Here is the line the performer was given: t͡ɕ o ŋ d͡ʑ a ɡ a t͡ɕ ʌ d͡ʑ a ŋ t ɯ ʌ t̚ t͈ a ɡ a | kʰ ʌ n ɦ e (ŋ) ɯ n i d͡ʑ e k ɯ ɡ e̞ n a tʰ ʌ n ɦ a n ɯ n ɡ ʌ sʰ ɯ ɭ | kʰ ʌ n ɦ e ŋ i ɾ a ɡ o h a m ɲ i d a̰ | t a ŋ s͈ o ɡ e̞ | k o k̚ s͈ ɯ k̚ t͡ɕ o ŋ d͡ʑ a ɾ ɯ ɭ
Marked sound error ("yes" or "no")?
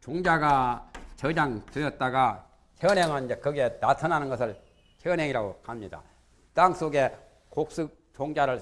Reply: no